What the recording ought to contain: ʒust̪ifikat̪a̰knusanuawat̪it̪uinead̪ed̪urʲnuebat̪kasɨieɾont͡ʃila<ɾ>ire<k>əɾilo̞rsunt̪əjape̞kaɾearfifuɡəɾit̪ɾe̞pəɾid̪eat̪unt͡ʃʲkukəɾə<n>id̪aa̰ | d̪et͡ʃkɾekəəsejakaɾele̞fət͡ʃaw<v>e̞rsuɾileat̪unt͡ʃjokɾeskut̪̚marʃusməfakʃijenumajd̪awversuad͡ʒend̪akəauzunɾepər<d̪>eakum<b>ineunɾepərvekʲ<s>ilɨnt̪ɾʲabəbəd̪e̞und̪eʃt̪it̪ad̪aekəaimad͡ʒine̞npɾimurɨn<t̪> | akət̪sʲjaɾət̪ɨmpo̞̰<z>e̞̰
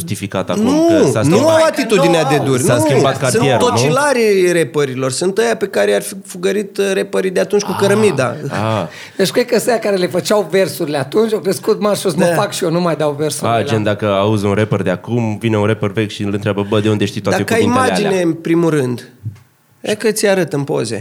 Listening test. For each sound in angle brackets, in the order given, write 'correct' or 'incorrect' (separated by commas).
correct, incorrect, incorrect, correct, correct, incorrect, incorrect, incorrect, correct